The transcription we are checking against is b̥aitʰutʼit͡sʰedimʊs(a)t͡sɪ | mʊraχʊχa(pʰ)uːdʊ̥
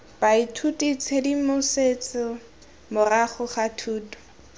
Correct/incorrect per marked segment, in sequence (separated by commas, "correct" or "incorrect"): incorrect, incorrect